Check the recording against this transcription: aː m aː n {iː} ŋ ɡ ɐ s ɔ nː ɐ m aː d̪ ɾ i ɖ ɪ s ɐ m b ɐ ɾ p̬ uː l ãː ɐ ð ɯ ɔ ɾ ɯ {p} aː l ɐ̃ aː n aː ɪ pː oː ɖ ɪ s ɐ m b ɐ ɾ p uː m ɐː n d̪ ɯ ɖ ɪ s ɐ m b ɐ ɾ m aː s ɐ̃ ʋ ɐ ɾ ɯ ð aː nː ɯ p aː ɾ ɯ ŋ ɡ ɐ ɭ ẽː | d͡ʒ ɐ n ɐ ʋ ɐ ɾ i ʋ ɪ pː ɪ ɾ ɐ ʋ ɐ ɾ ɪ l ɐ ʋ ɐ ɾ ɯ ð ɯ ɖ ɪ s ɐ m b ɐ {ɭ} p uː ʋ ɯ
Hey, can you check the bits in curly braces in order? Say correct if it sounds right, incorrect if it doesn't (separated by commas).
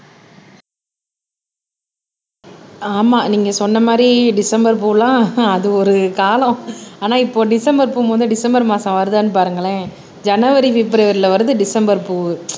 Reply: correct, incorrect, incorrect